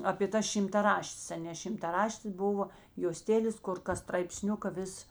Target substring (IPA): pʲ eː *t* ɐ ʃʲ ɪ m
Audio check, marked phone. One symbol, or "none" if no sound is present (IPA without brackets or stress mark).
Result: t